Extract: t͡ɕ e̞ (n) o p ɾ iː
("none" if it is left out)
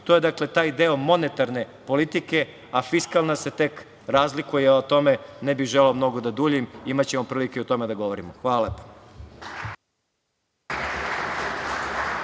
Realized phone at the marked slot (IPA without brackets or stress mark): m